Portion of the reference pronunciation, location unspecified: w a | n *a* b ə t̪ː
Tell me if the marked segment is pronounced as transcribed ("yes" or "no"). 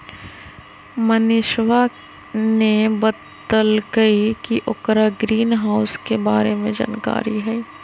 no